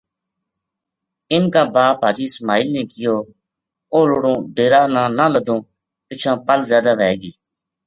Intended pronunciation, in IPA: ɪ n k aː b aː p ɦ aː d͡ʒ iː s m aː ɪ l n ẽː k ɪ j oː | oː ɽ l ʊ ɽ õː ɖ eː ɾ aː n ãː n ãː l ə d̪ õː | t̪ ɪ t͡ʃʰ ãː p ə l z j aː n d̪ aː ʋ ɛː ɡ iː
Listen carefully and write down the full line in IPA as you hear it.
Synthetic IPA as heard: ɪ n k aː b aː p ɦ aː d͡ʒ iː s m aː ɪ l n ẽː k ɪ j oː | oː l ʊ ɽ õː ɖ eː ɾ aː n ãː n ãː l ə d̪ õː | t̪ ɪ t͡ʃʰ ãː p ə l z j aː d̪ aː ʋ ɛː ɡ iː